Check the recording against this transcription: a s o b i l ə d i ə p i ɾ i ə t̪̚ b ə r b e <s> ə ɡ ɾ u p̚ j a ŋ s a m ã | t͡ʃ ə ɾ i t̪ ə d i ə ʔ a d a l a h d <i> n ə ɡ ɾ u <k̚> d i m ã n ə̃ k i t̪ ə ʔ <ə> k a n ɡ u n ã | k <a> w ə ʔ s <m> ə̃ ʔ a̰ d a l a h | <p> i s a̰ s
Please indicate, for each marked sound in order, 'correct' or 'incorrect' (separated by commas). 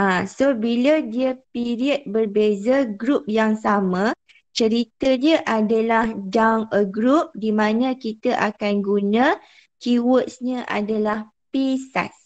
incorrect, incorrect, incorrect, incorrect, incorrect, incorrect, correct